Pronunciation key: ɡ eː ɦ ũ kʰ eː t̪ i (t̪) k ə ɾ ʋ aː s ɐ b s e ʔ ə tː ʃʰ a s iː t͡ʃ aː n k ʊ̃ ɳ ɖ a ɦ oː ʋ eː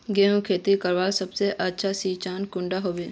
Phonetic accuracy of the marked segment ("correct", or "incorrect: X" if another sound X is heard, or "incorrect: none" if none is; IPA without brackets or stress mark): incorrect: none